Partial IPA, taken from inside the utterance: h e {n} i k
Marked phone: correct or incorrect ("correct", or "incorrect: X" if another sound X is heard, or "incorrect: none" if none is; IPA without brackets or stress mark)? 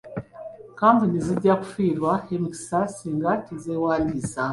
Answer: incorrect: m